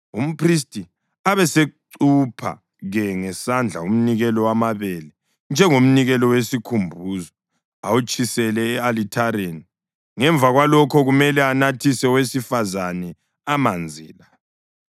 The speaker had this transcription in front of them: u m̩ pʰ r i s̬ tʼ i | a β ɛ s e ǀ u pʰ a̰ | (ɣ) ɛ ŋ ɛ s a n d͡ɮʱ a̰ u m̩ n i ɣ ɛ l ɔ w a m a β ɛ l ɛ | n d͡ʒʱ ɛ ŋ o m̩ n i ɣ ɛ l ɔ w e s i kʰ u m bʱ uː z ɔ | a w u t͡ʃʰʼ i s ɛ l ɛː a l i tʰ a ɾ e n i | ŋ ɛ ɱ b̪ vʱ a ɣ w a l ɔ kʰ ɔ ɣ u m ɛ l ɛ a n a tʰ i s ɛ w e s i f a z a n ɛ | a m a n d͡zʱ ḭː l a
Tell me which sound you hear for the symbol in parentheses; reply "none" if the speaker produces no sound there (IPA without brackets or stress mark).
ɣ